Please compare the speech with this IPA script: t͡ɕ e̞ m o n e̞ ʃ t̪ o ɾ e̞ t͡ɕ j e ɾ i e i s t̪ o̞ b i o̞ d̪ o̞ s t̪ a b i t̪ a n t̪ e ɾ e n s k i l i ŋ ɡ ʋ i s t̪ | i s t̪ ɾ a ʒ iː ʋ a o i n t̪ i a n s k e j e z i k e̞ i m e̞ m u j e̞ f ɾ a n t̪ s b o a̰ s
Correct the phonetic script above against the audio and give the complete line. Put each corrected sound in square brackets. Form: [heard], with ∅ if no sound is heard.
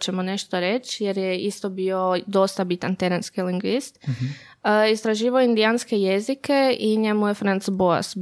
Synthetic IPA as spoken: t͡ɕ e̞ m o n e̞ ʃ t̪ o ɾ e̞ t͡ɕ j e ɾ [j] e i s t̪ o̞ b i o̞ d̪ o̞ s t̪ a b i t̪ a n t̪ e ɾ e n s k i l i ŋ ɡ ʋ i s t̪ | i s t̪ ɾ a ʒ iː ʋ a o i n [d̪] i a n s k e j e z i k e̞ i [ɲ] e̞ m u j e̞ f ɾ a n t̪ s b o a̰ s